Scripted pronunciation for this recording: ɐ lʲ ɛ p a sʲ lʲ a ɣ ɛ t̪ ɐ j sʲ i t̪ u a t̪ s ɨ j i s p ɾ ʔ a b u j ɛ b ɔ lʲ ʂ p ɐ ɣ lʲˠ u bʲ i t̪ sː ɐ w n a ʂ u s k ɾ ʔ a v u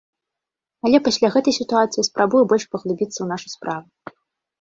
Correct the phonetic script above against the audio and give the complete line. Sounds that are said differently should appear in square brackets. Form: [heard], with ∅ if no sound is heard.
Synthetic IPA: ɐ lʲ ɛ p a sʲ lʲ a ɣ ɛ t̪ ɐ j sʲ i t̪ u a t̪ s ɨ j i s p ɾ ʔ a b u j ɛ b ɔ lʲ ʂ p ɐ ɣ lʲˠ u bʲ i t̪ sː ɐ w n a ʂ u s [p] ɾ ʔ a v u